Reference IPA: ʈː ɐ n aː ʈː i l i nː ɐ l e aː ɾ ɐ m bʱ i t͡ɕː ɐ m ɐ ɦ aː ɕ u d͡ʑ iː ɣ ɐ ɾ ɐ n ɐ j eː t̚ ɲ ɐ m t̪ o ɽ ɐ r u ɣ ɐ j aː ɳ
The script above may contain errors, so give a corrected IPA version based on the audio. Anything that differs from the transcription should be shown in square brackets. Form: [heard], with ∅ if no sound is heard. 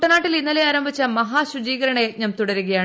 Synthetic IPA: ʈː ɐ n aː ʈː i l i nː ɐ l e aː ɾ ɐ m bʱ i t͡ɕː ɐ m ɐ ɦ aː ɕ u d͡ʑ iː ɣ ɐ ɾ ɐ [ɳ] ɐ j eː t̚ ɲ ɐ m t̪ [u] ɽ ɐ [ɾ] u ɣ ɐ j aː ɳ